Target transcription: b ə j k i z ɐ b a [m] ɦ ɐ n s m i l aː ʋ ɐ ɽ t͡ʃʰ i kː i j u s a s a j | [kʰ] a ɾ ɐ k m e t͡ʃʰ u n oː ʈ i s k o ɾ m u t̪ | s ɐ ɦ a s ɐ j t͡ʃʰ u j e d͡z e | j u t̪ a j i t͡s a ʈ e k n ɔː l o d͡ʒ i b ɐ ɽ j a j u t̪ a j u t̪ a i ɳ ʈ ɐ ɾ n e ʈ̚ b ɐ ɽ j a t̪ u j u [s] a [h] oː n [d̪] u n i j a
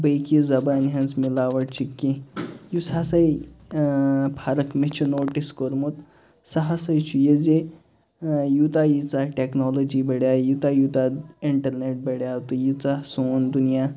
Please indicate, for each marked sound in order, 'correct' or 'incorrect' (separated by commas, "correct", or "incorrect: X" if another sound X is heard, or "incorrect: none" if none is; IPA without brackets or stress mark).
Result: incorrect: n, incorrect: pʰ, incorrect: t͡s, incorrect: s, correct